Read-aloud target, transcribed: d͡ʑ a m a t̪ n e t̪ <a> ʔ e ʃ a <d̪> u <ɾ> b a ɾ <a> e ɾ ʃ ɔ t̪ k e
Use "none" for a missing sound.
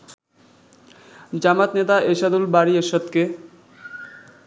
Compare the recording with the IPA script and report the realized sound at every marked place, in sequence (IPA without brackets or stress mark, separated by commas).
a, d̪, l, i